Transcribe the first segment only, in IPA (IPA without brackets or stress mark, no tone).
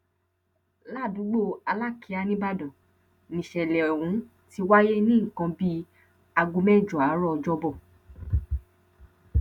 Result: l